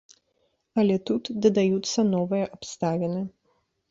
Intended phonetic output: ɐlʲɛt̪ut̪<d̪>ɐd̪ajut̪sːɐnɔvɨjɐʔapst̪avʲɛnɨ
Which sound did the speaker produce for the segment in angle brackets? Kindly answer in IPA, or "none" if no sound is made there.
d̪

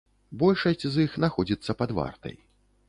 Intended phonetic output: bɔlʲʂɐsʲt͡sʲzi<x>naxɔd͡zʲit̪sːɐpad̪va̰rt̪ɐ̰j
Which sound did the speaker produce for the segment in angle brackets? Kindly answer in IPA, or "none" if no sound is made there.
x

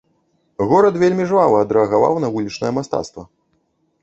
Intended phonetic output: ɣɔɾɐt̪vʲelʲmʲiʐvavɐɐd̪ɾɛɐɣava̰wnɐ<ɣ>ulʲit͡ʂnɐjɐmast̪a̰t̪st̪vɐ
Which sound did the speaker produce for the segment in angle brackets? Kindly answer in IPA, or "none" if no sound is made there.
v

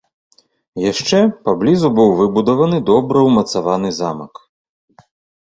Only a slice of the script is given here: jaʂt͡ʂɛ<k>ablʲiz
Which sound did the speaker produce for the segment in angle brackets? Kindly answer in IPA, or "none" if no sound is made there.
p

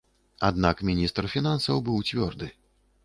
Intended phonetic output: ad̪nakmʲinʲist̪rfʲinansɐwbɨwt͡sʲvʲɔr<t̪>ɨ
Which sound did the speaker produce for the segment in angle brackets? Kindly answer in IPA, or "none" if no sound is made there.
d̪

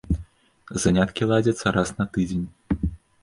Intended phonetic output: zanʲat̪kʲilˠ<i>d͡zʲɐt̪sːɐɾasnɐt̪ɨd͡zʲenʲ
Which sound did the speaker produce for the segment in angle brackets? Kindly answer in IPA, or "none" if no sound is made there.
a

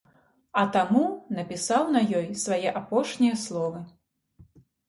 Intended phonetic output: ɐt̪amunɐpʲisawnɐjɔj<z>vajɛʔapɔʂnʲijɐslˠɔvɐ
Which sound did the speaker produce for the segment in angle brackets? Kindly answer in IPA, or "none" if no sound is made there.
s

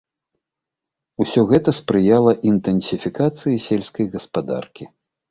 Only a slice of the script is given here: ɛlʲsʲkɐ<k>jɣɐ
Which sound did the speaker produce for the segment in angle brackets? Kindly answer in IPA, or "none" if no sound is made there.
none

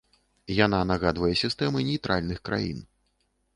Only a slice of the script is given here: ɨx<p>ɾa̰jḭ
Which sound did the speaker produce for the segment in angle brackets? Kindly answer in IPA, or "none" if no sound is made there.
k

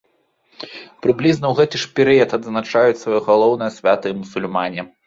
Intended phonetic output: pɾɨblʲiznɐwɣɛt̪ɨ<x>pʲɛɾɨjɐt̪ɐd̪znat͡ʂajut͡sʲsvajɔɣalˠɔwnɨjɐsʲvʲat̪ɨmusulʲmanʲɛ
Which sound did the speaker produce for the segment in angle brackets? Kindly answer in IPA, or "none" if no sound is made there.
ʂ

